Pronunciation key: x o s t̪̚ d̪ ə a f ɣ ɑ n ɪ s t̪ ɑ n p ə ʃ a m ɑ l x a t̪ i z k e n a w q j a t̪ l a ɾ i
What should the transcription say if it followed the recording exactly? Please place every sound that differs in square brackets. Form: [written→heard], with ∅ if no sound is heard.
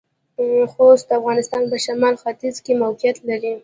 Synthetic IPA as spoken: x o s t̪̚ d̪ ə a f ɣ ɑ n ɪ s t̪ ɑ n p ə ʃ a m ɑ l x a t̪ i z k e [n→m] a w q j a t̪ l a ɾ i